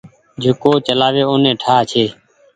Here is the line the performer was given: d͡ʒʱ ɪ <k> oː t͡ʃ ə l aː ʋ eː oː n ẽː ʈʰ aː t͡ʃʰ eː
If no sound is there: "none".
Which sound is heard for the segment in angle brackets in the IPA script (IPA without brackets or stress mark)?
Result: k